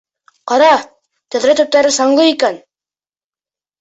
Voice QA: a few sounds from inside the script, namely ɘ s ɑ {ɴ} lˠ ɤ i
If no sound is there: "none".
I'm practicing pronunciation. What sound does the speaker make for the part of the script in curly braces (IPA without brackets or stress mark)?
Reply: ɴ